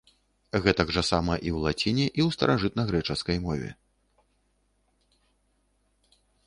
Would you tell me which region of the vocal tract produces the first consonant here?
velum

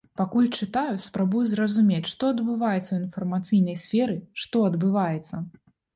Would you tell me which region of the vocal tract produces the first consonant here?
lips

